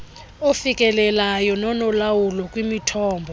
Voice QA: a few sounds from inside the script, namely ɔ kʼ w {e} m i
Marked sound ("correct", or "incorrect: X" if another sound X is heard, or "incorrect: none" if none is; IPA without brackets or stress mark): incorrect: i